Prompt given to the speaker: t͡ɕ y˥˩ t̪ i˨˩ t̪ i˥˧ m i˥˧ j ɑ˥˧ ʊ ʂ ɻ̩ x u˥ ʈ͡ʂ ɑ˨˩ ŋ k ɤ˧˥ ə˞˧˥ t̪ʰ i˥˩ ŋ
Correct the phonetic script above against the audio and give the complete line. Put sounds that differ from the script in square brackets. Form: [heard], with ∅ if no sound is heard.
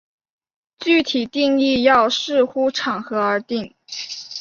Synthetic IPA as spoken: t͡ɕ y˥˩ [t̪ʰ] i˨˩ t̪ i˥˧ [ŋ] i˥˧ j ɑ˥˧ ʊ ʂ ɻ̩ x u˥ [ʈ͡ʂʰ] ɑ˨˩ ŋ [x] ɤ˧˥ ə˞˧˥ [t̪] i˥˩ ŋ